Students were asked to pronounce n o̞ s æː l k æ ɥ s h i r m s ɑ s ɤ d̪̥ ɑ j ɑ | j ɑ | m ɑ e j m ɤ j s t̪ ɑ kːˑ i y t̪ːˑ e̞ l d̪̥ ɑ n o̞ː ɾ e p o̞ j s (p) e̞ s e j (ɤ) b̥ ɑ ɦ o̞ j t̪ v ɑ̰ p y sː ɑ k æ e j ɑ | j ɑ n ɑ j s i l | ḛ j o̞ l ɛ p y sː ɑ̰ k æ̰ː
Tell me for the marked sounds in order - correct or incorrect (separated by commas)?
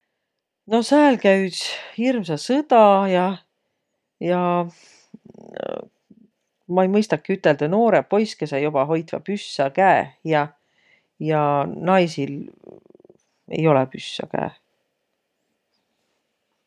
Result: incorrect, incorrect